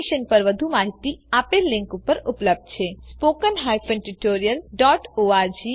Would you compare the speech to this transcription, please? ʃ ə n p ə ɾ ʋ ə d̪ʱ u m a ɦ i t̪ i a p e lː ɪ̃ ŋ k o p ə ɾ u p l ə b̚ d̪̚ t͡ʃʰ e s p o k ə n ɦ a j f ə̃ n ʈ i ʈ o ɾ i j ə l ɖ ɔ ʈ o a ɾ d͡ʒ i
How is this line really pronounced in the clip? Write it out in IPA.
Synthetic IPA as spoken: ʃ ə n p ə ɾ ʋ ə d̪ʱ u m a ɦ i t̪ i a p e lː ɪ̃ ŋ k u p ə ɾ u p l ə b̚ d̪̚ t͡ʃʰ e s p o k ə n ɦ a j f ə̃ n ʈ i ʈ o ɾ i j ə l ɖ ɔ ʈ o a ɾ d͡ʒ i